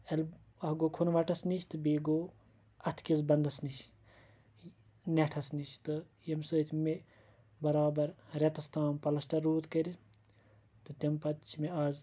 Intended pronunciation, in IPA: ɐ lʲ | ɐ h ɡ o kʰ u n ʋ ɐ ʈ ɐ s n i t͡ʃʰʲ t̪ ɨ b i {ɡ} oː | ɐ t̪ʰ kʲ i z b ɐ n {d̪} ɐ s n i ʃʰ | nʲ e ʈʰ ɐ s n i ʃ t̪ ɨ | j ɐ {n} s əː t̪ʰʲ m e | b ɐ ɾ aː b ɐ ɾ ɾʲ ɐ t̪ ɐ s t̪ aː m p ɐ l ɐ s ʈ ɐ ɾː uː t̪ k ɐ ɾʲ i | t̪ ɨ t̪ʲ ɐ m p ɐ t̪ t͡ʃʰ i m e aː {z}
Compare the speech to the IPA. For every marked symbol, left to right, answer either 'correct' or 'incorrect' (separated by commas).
correct, correct, incorrect, correct